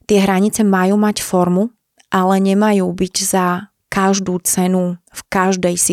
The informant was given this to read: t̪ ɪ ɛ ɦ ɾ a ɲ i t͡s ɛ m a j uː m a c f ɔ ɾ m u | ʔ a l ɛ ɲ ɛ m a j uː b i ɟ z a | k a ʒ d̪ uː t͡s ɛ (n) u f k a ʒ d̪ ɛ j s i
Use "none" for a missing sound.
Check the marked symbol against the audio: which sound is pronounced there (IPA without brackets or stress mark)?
n